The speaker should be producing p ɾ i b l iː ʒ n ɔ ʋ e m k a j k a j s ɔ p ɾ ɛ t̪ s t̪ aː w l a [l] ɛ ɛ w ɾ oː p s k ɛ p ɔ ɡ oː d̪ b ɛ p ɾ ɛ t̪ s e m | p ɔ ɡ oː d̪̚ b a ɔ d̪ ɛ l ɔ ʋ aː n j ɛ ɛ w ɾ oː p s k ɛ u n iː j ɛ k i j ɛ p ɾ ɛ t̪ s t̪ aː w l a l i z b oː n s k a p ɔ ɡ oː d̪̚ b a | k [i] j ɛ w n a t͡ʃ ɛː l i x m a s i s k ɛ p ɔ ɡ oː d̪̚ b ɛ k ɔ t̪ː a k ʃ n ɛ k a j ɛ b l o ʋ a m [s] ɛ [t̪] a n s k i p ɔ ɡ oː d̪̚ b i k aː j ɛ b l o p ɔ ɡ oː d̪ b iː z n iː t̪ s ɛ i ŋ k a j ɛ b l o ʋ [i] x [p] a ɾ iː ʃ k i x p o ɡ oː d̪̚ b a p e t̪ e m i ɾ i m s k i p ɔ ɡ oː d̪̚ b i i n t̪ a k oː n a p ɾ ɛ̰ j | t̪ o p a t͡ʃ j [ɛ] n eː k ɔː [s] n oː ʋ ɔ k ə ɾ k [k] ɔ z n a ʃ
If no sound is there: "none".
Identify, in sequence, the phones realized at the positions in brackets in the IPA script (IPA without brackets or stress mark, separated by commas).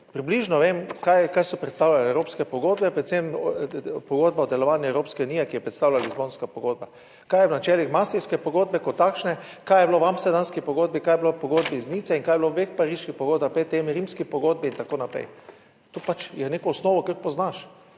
l, a, s, d̪, e, p, ɛ, s, p